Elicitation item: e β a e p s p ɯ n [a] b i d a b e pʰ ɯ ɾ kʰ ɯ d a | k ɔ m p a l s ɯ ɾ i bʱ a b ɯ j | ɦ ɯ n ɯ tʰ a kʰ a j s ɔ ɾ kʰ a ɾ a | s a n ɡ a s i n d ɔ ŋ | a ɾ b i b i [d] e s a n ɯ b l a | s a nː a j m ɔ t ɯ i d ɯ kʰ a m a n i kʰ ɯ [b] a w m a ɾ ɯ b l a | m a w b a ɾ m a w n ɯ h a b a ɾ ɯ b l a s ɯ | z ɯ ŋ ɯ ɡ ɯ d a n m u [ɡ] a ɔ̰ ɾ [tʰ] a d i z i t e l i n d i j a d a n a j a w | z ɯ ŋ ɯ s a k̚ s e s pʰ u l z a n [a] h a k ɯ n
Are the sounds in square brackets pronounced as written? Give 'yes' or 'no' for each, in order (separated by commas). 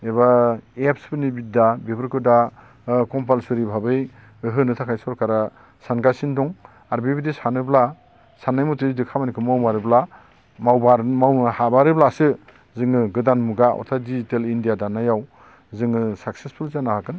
no, yes, no, yes, yes, yes